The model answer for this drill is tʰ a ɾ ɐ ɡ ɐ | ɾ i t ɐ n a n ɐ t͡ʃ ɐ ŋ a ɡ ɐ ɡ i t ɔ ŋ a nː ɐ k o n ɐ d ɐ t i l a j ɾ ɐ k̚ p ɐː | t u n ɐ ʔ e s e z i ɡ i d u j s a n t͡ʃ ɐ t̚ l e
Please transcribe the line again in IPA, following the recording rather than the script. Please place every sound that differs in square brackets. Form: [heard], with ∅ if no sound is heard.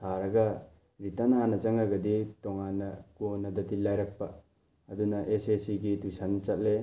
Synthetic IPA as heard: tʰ a ɾ ɐ ɡ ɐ | ɾ i t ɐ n a n ɐ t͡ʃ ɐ ŋ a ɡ ɐ [d] i t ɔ ŋ a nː ɐ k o n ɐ d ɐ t i l a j ɾ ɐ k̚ p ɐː | [d] u n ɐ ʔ e s e [s] i ɡ i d u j s a n t͡ʃ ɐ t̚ l e